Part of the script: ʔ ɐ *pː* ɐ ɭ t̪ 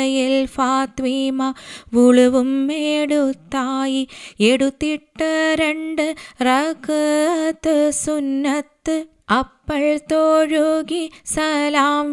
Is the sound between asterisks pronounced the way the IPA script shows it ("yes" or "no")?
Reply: yes